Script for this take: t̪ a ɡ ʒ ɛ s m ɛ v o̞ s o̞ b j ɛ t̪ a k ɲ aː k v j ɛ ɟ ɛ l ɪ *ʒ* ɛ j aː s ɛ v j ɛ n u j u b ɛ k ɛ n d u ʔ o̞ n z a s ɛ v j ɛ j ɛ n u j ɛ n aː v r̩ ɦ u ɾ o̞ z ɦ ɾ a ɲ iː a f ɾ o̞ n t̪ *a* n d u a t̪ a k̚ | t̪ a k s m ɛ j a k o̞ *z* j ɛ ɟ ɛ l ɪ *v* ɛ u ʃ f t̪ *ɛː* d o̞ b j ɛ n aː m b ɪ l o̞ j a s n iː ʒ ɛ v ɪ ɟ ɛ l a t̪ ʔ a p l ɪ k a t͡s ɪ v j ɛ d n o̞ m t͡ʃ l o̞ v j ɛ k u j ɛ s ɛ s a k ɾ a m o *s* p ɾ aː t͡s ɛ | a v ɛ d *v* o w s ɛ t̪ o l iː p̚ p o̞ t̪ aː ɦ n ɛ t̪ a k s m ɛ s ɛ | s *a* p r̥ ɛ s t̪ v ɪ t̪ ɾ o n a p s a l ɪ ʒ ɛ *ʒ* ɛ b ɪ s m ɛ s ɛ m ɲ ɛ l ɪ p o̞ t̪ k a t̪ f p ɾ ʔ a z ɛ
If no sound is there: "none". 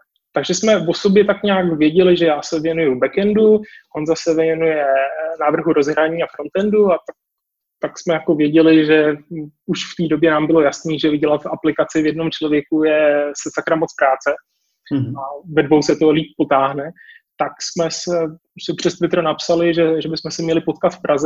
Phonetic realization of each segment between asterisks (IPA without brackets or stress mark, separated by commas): ʒ, ɛ, v, ʒ, iː, t͡s, v, ɛ, ʒ